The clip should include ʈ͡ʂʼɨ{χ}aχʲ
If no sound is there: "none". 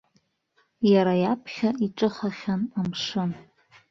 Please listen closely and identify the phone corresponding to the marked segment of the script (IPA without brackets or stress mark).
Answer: χ